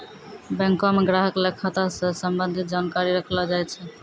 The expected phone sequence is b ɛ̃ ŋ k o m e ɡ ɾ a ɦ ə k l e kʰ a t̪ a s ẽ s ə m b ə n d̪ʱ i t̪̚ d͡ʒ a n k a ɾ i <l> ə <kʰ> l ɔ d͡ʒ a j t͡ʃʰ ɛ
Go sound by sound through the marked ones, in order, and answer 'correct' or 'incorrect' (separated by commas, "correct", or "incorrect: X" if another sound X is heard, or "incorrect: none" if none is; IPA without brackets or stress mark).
incorrect: ɾ, correct